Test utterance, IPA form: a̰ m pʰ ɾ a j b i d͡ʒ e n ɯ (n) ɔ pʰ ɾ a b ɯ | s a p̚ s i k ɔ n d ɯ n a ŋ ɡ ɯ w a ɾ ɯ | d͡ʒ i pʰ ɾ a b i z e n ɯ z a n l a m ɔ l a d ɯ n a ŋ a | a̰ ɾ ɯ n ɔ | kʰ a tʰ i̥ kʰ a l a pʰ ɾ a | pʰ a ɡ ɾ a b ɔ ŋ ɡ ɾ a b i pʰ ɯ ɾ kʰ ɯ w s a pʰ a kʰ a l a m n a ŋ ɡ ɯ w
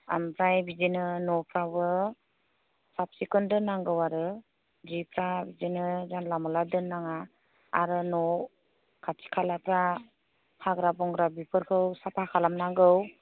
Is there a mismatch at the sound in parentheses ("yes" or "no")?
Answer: no